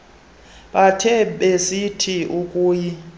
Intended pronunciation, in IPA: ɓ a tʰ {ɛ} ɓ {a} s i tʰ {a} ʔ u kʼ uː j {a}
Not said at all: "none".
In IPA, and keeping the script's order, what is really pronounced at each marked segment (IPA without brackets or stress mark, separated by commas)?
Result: ɛ, e, i, i